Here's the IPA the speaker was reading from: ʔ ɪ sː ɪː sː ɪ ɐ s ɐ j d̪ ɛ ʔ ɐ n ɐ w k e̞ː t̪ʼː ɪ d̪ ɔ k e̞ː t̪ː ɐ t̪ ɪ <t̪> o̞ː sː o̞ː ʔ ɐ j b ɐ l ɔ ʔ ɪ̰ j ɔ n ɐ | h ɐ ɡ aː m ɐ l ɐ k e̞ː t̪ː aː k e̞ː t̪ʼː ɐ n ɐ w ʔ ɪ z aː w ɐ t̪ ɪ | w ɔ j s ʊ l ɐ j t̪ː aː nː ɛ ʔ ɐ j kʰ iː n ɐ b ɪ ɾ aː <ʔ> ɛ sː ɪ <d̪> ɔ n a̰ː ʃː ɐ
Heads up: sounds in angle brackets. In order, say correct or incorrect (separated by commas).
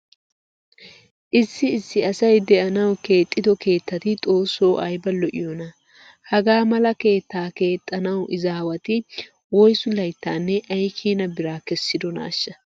incorrect, incorrect, correct